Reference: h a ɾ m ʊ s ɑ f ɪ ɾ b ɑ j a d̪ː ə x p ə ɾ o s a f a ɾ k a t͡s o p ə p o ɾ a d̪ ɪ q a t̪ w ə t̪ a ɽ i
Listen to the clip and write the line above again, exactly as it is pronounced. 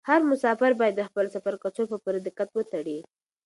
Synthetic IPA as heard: h a ɾ m ʊ s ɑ f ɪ ɾ b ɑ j a d̪ː ə x p ə l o s a f a ɾ k a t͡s o p ə p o ɾ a d̪ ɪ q a t̪ w ə t̪ a ɽ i